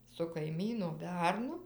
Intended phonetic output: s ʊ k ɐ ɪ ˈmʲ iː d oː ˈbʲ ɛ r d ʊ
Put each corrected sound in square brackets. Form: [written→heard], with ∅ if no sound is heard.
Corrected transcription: s ʊ k ɐ ɪ ˈmʲ iː [d→n] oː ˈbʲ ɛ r [d→n] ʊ